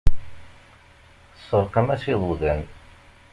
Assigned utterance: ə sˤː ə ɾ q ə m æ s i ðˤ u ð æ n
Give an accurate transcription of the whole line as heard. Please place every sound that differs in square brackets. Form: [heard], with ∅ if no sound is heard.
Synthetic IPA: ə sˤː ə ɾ q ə m æ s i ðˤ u ð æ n